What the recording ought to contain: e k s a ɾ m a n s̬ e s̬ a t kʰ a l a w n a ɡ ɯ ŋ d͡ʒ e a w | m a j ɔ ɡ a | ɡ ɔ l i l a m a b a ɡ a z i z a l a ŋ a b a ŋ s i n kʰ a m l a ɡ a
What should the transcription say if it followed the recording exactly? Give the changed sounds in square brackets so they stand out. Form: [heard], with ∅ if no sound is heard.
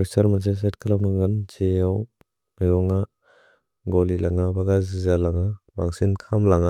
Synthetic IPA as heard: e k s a ɾ m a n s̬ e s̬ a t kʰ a l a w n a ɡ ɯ [n] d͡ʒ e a w | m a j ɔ [ŋ] a | ɡ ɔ l i l a [ŋ] a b a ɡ a z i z a l a ŋ a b a ŋ s i n kʰ a m l a [ŋ] a